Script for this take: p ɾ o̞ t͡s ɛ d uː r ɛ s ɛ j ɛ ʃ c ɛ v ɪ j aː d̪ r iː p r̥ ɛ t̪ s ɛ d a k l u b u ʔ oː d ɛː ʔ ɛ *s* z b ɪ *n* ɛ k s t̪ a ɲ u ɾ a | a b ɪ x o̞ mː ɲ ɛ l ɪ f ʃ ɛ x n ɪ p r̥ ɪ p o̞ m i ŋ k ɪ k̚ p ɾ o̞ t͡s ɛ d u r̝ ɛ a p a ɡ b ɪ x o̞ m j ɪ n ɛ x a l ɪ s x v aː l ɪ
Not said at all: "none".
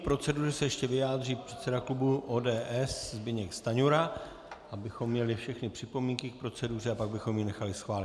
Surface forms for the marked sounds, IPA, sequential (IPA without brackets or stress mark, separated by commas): s, ɲ